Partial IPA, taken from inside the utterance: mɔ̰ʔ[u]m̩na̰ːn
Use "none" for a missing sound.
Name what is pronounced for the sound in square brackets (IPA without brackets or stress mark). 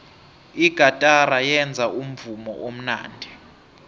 o